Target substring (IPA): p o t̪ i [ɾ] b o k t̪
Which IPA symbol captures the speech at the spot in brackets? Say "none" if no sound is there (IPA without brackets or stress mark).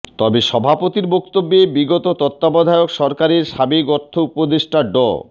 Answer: ɾ